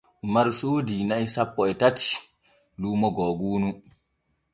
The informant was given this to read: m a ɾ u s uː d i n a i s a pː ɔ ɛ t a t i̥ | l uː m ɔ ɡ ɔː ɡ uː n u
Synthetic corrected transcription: m a ɾ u s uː d i n a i s a pː ɔ ɛ t a t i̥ | l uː m ɔ ɡ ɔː ɡ uː n u